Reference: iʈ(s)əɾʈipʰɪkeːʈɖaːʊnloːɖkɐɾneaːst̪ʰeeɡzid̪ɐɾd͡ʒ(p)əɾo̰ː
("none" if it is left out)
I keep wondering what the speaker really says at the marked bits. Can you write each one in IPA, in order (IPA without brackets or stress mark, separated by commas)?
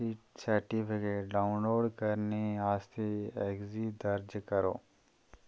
s, k